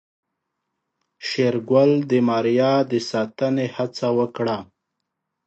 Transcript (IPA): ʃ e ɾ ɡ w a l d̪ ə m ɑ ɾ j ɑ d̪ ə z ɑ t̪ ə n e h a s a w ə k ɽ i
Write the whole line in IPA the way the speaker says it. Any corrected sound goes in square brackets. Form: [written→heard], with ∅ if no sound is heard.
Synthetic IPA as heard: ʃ e ɾ ɡ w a l d̪ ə m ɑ ɾ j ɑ d̪ ə [z→s] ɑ t̪ ə n e h a [s→t͡s] a w ə k ɽ [i→a]

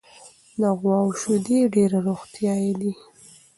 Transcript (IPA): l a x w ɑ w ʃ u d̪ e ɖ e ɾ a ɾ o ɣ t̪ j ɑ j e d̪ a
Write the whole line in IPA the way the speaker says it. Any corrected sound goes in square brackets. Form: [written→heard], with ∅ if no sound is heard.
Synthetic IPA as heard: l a [x→ɣ] w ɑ w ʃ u d̪ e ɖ e ɾ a ɾ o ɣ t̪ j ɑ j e d̪ [a→i]

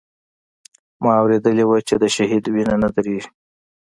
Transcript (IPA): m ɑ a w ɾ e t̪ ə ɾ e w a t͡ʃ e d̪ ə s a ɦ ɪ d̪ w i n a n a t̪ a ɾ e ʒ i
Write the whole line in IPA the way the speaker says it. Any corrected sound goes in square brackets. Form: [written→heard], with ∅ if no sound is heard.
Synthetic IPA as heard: m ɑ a w ɾ e [t̪→d̪] ə [ɾ→l] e w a t͡ʃ e d̪ ə [s→ʃ] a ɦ [ɪ→i] d̪ w i n a n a [t̪→d̪] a ɾ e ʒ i

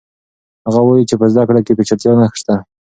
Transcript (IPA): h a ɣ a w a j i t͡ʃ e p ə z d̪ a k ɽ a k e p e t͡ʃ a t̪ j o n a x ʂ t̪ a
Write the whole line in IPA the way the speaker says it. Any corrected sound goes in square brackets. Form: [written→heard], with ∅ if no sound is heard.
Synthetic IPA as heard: h a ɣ a w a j i t͡ʃ e p ə z d̪ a k ɽ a k e p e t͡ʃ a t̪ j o n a x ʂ t̪ a

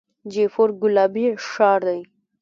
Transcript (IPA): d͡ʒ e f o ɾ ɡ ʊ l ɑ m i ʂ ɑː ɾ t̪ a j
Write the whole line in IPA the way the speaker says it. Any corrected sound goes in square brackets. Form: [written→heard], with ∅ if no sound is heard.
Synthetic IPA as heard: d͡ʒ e f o ɾ ɡ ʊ l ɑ [m→b] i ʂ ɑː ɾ [t̪→d̪] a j

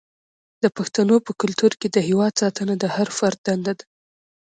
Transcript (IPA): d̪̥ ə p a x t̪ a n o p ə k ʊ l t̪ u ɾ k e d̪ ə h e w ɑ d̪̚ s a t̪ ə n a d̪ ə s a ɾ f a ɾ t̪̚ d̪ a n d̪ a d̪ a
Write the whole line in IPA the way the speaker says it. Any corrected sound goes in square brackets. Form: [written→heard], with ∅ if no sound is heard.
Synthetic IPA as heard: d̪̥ ə p a x t̪ a n o p ə k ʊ l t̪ u ɾ k e d̪ ə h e w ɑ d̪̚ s [a→ɑ] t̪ ə n a d̪ ə [s→h] a ɾ f a ɾ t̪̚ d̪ a n d̪ a d̪ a

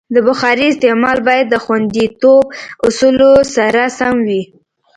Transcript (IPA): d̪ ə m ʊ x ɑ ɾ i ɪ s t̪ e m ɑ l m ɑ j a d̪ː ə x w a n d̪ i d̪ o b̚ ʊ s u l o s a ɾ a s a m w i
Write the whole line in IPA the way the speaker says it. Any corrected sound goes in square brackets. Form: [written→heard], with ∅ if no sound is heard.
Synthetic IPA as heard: d̪ ə [m→b] ʊ x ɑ ɾ i ɪ s t̪ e m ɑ l [m→b] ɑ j a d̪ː ə x w a n d̪ i [d̪→t̪] o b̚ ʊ s u l o s a ɾ a s a m w i

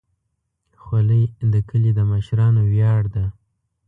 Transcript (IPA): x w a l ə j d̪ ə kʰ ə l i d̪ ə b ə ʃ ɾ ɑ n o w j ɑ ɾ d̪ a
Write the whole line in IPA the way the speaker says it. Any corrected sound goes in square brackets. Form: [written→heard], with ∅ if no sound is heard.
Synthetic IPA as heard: x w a l ə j d̪ ə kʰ ə l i d̪ ə [b→m] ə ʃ ɾ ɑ n o w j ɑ [ɾ→ɽ] d̪ a

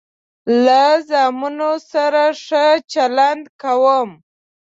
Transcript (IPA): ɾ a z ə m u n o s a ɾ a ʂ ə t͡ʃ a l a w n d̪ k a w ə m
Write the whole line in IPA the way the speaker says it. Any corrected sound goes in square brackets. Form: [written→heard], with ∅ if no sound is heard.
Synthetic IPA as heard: [ɾ→l] a z [ə→ɑ] m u n o s a ɾ a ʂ ə t͡ʃ a l a [w→∅] n d̪ k a w ə m

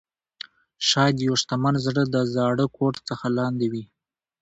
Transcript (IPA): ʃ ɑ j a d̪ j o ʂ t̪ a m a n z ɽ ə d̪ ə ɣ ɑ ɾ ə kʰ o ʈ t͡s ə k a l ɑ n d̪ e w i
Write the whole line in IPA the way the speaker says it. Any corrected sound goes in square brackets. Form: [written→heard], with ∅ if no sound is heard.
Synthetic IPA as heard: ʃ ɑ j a d̪ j o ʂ t̪ a m a n z ɽ ə d̪ ə [ɣ→z] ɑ [ɾ→ɽ] ə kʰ o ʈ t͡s ə [k→x] a l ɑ n d̪ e w i

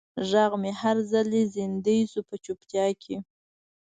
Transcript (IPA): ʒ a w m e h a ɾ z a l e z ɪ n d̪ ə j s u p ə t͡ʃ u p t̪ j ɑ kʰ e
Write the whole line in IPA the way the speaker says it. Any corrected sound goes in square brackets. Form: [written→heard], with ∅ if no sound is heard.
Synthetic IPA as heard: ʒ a [w→ɣ] m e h a ɾ z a l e z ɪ n d̪ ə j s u p ə t͡ʃ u p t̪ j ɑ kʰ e

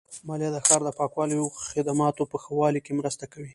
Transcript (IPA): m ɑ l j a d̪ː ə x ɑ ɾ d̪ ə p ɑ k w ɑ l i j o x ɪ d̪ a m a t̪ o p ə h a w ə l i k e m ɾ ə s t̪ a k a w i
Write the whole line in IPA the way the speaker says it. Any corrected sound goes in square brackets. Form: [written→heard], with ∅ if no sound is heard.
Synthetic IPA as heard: m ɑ l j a [d̪ː→d̪] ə x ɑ ɾ d̪ ə p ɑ k w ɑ l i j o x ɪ d̪ a m [a→ɑ] t̪ o p ə [h→x] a w [ə→ɑ] l i k e m ɾ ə s t̪ a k a w i

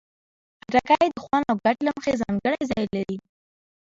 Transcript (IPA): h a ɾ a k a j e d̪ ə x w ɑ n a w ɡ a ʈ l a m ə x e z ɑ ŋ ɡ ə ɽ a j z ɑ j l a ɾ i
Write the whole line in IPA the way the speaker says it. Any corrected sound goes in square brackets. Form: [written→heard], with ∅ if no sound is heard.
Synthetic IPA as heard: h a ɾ a k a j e d̪ ə x w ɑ n a w ɡ a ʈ l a m ə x e z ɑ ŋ ɡ ə ɽ a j z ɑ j l a ɾ i

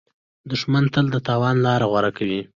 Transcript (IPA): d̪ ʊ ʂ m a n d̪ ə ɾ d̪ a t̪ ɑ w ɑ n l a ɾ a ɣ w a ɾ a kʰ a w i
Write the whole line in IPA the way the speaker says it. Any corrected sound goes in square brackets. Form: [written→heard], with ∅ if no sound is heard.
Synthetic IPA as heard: d̪ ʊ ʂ m a n [d̪→t̪] ə [ɾ→l] d̪ [a→ə] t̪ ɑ w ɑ n l [a→ɑ] ɾ a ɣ w a ɾ a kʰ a w i

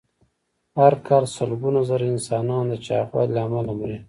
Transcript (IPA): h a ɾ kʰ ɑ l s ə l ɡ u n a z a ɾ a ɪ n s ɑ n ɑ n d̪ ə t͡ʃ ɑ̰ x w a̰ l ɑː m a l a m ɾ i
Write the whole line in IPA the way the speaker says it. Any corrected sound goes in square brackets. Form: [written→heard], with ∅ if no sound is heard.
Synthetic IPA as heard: h a ɾ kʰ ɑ l s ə l ɡ u n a z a ɾ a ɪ n s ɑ n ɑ n d̪ ə t͡ʃ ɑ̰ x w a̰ l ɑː m a l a m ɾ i

